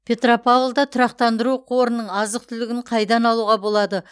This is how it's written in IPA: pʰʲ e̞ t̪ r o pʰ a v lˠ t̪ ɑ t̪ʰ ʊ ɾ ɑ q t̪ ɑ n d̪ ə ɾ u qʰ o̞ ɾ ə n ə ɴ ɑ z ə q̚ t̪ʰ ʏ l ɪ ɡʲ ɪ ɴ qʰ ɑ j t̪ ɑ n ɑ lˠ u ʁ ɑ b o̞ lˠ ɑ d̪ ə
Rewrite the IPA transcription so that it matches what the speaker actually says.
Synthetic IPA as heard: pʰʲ e̞ t̪ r o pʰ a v lˠ d̪ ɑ t̪ʰ ʊ ɾ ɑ q t̪ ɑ n d̪ ə ɾ u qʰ o̞ ɾ ə n ə ɴ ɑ z ə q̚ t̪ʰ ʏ l ɪ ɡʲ ɪ ɴ qʰ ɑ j d̪ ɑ n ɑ lˠ u ʁ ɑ b o̞ lˠ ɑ d̪ ə

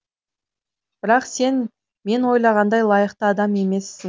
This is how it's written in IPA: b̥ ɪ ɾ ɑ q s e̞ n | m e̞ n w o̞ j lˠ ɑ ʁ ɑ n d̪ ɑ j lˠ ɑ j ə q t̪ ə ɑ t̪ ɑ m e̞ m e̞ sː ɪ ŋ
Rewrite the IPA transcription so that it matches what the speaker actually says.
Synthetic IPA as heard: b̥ ɪ ɾ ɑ q s e̞ n | m e̞ n w o̞ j lˠ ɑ ʁ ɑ n d̪ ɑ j lˠ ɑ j ə q t̪ ə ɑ d̪ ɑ m e̞ m e̞ sː ɪ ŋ

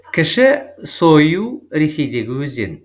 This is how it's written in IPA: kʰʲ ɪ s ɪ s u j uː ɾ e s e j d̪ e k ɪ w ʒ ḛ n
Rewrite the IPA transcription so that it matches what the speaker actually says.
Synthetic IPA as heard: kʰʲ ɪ ʃ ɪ s o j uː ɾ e s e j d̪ e ɡ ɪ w z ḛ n

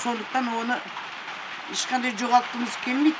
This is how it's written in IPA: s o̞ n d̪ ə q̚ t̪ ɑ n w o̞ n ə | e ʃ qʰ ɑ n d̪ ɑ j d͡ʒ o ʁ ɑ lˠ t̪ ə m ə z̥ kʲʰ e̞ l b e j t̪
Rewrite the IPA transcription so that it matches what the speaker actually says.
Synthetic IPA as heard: s o̞ n d̪ ə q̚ t̪ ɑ n w o̞ n ə | e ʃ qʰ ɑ n d̪ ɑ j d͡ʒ o ʁ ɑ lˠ t̪ ə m ə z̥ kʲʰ e̞ l m e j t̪

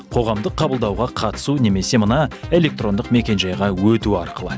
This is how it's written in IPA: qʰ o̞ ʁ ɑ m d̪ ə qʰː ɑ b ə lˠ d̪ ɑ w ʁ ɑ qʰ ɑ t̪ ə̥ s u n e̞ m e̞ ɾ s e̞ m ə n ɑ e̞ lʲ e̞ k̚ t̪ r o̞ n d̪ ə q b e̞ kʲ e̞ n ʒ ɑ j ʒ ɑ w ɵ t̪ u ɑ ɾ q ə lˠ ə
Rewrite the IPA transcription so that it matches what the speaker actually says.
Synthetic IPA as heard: qʰ o̞ ʁ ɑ m d̪ ə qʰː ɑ b ə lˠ d̪ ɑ w ʁ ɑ qʰ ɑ t̪ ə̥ s u n e̞ m e̞ s e̞ m ə n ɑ e̞ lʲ e̞ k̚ t̪ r o̞ n d̪ ə q m e̞ kʲ e̞ n ʒ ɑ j ʁ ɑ w ɵ t̪ u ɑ ɾ q ə lˠ ə

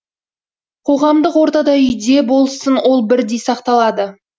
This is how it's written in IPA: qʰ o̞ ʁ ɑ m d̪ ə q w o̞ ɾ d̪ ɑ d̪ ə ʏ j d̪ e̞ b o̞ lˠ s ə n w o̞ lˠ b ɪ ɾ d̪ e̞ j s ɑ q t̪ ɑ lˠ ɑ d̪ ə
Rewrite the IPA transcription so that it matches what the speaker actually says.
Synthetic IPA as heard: qʰ o̞ ʁ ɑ m d̪ ə q w o̞ ɾ t̪ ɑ d̪ ɑ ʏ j d̪ e̞ b o̞ lˠ s ə n w o̞ lˠ b ɪ ɾ d̪ e̞ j s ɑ q t̪ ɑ lˠ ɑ d̪ ə

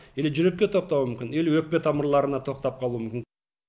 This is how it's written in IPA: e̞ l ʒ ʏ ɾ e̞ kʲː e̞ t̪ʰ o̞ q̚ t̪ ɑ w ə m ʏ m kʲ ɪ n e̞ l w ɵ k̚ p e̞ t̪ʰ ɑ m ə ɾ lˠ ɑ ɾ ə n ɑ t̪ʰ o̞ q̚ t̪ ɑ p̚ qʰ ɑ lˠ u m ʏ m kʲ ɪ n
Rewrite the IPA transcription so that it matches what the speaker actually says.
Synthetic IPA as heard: e̞ l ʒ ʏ ɾ e̞ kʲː e̞ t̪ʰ o̞ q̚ t̪ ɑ w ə m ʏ m kʲ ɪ n e̞ l w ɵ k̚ p e̞ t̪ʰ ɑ m ə ɾ lˠ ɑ ɾ ə n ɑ t̪ʰ o̞ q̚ t̪ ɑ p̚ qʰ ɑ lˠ u m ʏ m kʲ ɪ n

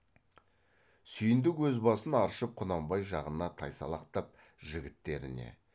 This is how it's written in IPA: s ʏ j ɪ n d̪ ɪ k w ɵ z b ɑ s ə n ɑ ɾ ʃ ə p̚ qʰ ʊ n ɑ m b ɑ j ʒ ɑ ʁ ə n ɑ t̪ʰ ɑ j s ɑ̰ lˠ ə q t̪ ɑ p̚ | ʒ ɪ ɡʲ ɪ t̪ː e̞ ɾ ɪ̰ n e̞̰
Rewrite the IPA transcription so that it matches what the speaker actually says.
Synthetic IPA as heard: s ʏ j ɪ n d̪ ɪ k w ɵ z b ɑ s ə n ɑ ɾ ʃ ə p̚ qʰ ʊ n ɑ m b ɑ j ʒ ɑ ʁ ə n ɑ t̪ʰ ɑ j s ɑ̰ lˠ ɑ q t̪ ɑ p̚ | ʒ ɪ ɡʲ ɪ t̪ː e̞ ɾ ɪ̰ n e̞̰

